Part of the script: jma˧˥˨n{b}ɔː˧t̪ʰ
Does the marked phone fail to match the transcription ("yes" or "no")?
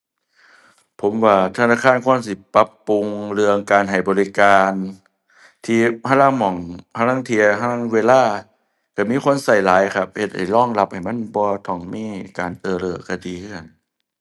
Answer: no